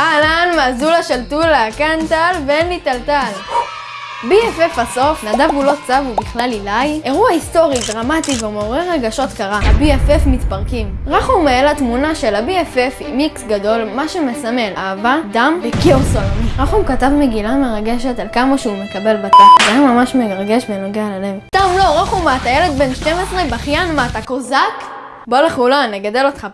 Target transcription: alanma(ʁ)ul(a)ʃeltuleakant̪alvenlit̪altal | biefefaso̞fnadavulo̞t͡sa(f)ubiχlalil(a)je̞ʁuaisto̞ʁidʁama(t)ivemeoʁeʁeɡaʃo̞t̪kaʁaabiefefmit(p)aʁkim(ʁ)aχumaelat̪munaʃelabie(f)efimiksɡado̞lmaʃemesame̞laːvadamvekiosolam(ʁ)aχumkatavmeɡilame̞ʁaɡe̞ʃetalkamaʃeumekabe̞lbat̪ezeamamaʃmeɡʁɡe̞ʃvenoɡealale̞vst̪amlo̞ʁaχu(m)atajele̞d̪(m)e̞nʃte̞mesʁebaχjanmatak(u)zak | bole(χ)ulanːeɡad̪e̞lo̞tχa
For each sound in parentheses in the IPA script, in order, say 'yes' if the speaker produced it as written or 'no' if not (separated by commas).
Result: no, yes, no, yes, yes, yes, yes, yes, yes, yes, no, no, yes